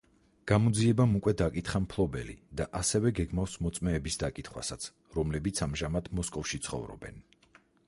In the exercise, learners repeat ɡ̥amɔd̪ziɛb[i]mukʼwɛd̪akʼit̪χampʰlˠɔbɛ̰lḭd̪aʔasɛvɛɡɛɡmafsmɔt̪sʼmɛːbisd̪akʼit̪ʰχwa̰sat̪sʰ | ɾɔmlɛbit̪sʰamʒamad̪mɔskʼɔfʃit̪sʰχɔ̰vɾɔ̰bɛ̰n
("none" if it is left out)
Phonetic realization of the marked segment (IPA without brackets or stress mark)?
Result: a